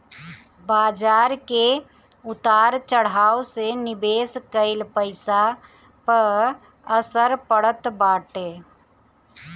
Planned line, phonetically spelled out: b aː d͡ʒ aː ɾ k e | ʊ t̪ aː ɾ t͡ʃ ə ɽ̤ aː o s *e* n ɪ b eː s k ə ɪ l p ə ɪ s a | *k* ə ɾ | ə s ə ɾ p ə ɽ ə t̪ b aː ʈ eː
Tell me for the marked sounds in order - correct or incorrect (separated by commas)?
correct, incorrect